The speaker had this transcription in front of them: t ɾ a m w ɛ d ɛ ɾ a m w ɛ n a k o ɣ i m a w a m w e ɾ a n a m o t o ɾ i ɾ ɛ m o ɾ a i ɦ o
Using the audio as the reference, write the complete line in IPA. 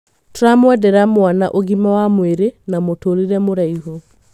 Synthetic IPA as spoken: t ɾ a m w ɛ d ɛ ɾ a m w a n a ʔ o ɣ i m a w a m w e ɾ e n a m o t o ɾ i ɾ ɛ m o ɾ a i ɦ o